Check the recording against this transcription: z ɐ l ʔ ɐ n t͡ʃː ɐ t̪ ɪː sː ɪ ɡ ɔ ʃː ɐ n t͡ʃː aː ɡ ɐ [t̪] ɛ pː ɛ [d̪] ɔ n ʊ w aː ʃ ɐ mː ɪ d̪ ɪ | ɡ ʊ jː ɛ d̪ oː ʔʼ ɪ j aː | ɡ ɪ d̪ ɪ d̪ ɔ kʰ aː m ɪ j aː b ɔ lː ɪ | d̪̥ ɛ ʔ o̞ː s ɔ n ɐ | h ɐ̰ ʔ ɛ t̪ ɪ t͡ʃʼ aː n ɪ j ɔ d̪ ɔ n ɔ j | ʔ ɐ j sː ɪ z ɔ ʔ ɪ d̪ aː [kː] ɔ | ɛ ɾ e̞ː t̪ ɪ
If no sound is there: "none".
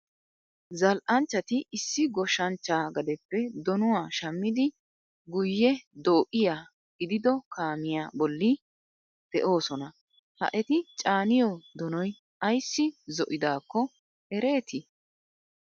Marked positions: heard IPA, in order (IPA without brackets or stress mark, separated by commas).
d̪, d̪, kː